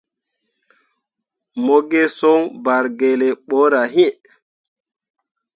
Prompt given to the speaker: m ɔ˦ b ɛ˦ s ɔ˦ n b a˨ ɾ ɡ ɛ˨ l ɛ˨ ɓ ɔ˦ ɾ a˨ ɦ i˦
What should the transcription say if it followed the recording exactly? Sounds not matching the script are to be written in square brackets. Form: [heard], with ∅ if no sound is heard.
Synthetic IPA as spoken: m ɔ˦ [ɡ] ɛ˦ s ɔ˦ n b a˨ ɾ ɡ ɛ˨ l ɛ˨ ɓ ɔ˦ ɾ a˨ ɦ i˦